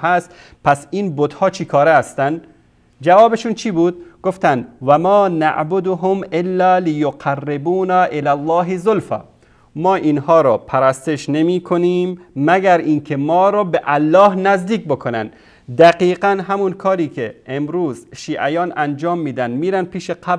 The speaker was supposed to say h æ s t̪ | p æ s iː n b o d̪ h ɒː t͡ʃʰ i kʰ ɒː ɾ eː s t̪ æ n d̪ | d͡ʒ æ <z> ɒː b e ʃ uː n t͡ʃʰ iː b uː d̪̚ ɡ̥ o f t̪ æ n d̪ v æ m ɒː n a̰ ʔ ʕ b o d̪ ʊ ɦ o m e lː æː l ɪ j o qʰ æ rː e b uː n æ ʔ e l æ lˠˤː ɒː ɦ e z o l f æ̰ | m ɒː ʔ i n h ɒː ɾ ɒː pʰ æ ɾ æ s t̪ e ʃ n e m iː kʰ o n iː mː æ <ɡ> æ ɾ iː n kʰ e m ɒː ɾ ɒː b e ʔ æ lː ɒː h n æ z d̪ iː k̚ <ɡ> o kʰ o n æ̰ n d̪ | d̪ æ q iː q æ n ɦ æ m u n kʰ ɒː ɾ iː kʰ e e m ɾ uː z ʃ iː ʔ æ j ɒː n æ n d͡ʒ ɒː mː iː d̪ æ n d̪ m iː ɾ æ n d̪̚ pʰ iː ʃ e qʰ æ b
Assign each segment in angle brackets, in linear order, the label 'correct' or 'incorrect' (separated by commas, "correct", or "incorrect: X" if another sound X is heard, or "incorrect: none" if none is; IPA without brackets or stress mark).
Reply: incorrect: v, correct, incorrect: b